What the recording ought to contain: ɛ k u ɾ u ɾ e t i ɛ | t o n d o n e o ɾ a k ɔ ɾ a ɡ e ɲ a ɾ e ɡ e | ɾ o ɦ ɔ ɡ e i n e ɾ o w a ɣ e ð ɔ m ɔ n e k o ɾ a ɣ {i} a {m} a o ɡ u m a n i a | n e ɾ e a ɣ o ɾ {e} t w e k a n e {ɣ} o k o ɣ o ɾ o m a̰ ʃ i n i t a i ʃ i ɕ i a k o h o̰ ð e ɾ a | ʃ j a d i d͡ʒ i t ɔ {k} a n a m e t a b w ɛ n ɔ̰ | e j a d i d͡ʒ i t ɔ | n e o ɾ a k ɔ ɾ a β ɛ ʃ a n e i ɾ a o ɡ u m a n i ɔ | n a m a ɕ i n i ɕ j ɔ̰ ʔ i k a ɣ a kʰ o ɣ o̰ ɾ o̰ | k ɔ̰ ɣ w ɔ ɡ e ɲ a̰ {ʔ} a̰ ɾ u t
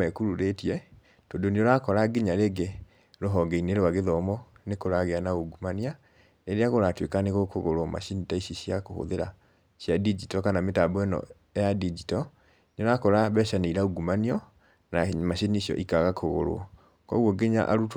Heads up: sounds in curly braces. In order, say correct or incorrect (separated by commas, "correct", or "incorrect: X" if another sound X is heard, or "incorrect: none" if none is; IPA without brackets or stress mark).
incorrect: e, incorrect: n, incorrect: a, correct, correct, correct